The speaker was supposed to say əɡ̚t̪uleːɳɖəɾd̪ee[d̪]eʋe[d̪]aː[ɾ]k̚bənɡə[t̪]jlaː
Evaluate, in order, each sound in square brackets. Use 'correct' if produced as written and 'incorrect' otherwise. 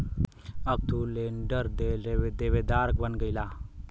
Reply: correct, correct, correct, incorrect: none

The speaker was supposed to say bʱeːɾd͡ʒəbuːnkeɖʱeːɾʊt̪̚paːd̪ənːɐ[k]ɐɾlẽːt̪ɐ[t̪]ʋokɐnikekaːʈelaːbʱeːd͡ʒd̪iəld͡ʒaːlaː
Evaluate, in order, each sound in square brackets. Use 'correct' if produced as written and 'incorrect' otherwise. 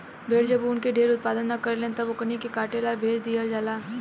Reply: correct, incorrect: none

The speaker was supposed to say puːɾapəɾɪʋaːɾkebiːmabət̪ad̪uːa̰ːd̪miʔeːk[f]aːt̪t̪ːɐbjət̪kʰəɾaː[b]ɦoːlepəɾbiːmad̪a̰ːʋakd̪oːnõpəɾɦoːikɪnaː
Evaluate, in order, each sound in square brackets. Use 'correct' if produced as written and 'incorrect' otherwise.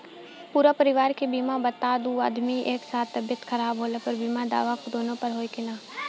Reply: incorrect: s, correct

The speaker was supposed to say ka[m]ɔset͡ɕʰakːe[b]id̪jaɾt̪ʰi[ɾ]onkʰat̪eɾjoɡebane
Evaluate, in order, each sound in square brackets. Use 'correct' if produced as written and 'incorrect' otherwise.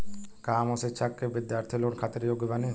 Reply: correct, correct, incorrect: l

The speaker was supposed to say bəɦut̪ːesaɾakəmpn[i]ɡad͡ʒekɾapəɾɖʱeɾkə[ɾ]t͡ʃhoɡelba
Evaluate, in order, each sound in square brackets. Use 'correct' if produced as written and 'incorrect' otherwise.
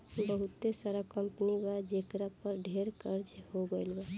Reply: correct, correct

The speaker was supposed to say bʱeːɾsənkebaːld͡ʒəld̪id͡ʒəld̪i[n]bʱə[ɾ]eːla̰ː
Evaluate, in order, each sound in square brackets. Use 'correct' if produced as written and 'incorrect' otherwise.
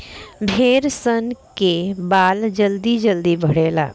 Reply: incorrect: none, incorrect: ɽ

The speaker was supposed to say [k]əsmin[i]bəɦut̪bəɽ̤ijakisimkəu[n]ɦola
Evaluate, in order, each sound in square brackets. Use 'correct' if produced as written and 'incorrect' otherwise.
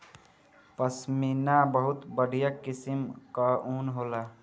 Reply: incorrect: p, incorrect: a, correct

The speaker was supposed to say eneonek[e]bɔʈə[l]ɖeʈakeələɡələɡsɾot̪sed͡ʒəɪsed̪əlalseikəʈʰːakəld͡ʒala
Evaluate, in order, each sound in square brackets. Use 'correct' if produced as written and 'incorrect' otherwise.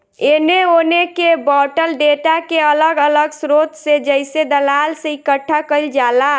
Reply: correct, correct

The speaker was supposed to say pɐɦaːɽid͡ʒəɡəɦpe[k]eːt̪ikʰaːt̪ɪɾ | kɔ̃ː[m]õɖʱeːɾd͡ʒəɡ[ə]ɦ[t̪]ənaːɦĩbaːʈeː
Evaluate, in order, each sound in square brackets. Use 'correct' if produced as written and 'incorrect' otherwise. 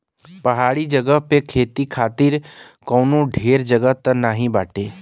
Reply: incorrect: kʰ, incorrect: n, correct, correct

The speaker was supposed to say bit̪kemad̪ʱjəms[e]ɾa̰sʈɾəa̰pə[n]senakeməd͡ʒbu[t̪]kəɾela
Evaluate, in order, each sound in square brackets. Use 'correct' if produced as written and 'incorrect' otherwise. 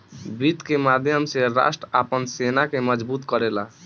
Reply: correct, correct, correct

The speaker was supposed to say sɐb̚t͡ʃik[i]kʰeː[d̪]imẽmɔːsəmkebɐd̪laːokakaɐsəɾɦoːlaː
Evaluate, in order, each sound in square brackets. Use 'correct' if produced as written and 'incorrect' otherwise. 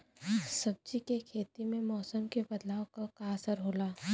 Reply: incorrect: e, incorrect: t̪

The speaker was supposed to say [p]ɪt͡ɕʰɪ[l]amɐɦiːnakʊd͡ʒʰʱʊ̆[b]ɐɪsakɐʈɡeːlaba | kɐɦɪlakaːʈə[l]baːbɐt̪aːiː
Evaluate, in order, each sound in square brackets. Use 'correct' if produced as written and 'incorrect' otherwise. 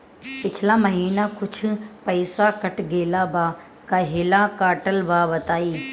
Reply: correct, correct, incorrect: p, correct

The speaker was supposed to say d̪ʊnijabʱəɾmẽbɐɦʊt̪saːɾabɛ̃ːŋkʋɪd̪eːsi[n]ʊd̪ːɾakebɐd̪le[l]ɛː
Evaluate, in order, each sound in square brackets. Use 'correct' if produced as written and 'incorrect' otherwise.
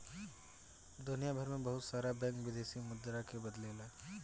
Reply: incorrect: m, correct

